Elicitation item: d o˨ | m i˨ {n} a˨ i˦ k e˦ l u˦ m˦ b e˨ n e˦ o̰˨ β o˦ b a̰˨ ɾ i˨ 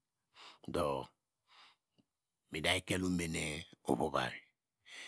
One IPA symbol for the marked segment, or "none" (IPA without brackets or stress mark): d